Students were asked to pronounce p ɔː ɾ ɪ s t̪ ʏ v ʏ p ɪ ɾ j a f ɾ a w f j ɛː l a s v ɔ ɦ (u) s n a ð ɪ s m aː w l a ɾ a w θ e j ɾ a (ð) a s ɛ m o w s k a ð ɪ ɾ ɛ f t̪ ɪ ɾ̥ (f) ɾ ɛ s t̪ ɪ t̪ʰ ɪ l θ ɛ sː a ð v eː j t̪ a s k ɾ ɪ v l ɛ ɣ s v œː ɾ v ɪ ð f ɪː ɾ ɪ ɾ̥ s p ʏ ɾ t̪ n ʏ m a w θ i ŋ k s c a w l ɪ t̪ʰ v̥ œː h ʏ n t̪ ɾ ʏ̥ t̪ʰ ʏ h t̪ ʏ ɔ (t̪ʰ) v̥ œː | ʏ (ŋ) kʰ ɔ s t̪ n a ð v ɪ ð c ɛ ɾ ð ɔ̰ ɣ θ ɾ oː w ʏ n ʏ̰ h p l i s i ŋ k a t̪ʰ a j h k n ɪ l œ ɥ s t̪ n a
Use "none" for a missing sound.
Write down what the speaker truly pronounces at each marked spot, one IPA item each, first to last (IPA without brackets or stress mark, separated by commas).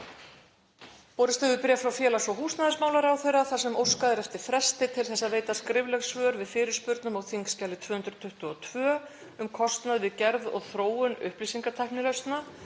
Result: uː, θ, f, t̪ʰ, m